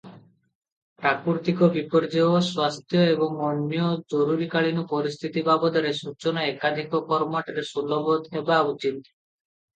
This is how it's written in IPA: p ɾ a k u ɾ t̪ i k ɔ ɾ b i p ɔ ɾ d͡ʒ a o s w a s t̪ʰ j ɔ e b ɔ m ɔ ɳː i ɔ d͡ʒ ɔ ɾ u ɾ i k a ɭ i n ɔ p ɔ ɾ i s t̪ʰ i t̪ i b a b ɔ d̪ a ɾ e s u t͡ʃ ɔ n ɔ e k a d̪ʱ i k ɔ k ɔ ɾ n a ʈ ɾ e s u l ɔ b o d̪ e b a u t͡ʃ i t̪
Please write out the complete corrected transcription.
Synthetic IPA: p ɾ a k u ɾ t̪ i k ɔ b i p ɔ ɾ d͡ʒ e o s w a s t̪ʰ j ɔ e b ɔ ŋ ɔ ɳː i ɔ d͡ʒ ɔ ɾ u ɾ i k a ɭ i n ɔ p ɔ ɾ i s t̪ʰ i t̪ i b a b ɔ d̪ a ɾ e s u t͡ʃ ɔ n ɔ e k a d̪ʱ i k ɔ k ɔ ɾ m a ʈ ɾ e s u l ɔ b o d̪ e b a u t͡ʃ i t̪